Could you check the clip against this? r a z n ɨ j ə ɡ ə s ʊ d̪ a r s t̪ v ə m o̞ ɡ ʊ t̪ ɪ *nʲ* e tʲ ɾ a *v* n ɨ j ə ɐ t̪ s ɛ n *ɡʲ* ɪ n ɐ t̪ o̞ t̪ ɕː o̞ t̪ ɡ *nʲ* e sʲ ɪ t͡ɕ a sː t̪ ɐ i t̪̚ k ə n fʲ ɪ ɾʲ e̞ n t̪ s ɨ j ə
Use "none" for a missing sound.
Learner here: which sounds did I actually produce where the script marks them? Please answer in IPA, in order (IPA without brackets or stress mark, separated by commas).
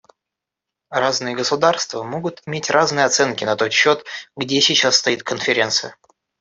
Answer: mʲ, z, kʲ, dʲ